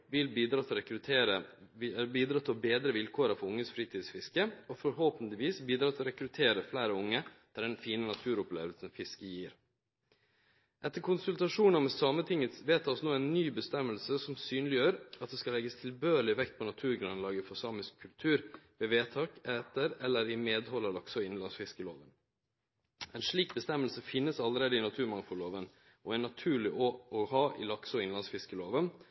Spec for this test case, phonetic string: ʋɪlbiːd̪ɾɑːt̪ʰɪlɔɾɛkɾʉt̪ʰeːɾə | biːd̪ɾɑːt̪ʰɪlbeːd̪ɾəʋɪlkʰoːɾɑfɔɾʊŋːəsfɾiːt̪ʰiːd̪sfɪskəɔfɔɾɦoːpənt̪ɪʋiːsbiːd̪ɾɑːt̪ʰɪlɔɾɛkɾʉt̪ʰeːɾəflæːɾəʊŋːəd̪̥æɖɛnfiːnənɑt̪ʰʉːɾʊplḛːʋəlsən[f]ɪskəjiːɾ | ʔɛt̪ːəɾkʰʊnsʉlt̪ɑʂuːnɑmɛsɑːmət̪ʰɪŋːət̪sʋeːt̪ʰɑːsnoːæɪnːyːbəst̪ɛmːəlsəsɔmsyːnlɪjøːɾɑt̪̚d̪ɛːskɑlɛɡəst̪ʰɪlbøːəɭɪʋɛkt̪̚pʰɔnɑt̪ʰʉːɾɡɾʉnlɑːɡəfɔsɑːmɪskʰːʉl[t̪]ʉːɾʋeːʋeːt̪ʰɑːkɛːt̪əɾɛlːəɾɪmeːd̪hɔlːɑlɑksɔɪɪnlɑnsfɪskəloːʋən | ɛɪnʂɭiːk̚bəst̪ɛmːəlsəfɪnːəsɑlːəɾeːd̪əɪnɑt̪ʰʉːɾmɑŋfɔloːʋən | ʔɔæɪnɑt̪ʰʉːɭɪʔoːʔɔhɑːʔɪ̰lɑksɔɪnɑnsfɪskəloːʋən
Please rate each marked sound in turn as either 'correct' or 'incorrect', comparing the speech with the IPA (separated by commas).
correct, incorrect